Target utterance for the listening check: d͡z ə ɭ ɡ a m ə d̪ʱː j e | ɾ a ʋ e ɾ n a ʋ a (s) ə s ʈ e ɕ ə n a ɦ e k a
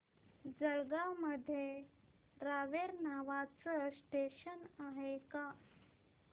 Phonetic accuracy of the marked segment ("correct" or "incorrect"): incorrect